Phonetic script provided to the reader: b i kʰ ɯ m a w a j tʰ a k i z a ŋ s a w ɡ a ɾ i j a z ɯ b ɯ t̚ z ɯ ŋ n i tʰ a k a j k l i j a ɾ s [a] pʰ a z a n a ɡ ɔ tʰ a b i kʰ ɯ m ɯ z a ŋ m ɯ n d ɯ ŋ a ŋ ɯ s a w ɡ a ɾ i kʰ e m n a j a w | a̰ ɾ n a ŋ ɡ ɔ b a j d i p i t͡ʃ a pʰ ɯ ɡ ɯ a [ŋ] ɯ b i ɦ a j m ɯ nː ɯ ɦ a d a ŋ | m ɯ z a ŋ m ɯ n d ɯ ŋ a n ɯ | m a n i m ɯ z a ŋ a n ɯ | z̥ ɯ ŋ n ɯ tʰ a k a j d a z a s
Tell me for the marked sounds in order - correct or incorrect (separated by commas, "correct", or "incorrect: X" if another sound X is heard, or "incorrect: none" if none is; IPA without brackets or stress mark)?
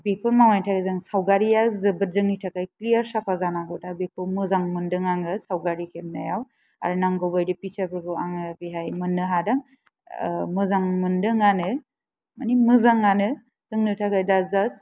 correct, correct